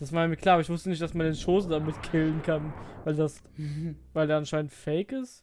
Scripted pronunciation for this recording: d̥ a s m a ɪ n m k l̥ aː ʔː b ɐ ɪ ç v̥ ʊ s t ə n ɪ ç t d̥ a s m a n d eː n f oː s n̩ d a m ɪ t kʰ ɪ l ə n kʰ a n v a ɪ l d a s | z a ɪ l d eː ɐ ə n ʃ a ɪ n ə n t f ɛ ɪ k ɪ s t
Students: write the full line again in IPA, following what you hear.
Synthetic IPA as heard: d̥ a s m a ɪ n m k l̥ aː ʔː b ɐ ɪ ç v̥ ʊ s t ə n ɪ ç t d̥ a s m a n d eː n ʃ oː s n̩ d a m ɪ t kʰ ɪ l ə n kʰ a n v a ɪ l d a s | v a ɪ l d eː ɐ a n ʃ a ɪ n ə n t f ɛ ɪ k ɪ s t